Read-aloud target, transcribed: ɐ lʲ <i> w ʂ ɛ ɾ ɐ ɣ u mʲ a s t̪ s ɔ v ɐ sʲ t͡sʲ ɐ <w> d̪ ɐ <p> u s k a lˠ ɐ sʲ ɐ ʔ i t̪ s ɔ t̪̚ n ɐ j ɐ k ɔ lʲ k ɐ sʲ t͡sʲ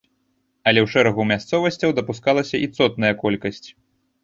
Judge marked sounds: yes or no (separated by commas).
no, yes, yes